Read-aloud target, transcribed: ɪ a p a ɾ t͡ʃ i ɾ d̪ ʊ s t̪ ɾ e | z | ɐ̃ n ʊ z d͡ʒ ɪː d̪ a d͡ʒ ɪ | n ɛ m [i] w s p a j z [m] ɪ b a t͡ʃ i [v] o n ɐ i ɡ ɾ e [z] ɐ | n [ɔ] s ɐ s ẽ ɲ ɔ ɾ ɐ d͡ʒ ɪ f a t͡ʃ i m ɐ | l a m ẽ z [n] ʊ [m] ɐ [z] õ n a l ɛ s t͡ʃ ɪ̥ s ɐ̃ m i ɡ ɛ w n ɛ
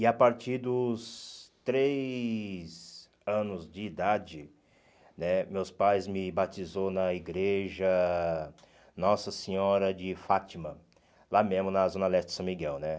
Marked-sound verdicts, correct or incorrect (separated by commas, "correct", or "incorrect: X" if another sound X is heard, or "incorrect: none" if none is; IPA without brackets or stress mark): incorrect: e, correct, incorrect: z, incorrect: ʒ, correct, incorrect: m, incorrect: n, correct